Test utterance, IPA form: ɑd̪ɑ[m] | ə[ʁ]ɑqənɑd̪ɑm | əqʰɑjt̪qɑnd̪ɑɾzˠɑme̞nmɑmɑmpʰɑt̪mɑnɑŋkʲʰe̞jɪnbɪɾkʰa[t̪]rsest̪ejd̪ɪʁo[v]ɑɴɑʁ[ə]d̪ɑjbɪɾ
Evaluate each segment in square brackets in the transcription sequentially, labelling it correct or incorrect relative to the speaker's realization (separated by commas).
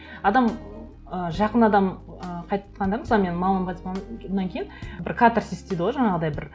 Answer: correct, incorrect, correct, incorrect, correct